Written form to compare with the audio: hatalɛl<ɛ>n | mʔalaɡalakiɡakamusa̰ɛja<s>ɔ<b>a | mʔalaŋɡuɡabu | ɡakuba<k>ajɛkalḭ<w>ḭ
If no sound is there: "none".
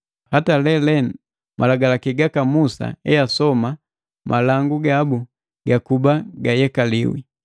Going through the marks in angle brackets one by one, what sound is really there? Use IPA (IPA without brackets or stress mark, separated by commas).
ɛ, s, m, ɡ, w